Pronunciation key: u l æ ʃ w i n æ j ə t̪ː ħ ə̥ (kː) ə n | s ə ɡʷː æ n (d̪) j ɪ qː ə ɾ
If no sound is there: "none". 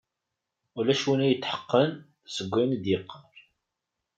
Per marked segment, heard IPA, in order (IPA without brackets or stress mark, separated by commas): qː, d̪